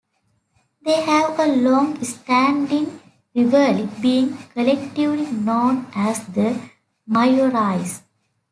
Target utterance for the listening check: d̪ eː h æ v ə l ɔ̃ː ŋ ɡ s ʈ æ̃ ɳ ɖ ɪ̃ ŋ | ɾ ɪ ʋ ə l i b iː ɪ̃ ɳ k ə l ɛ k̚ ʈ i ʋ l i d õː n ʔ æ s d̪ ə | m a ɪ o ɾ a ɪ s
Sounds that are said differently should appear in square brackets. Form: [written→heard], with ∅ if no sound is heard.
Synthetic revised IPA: d̪ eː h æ [v→ʋ] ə l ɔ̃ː ŋ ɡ s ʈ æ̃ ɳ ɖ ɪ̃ ŋ | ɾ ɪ ʋ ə l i b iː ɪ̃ [ɳ→ŋ] k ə l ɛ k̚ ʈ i ʋ l i [d→n] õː n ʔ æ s d̪ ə | m a ɪ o ɾ a ɪ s